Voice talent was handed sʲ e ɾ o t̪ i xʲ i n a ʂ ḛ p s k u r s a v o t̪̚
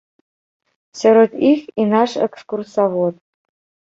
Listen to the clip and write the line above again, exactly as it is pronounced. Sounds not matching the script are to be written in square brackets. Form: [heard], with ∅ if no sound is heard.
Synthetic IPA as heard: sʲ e ɾ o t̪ i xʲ i n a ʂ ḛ [k] s k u r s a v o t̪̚